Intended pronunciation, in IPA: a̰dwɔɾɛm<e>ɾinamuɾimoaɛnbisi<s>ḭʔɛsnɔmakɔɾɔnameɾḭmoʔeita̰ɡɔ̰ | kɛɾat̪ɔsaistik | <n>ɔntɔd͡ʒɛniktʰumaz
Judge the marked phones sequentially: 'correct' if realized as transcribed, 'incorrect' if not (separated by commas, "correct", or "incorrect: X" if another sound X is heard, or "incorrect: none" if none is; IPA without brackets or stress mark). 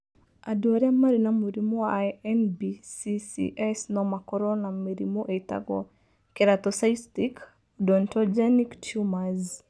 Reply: incorrect: a, correct, incorrect: d